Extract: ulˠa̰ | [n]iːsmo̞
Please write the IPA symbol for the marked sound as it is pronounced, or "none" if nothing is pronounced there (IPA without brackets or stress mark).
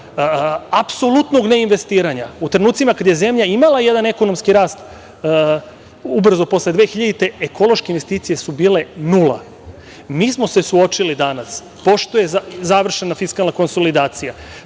m